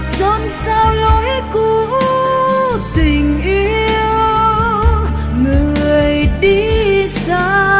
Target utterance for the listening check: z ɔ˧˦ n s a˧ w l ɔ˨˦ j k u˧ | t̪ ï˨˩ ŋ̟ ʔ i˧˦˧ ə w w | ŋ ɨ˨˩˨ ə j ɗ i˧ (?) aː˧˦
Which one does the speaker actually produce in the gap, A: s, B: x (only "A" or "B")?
A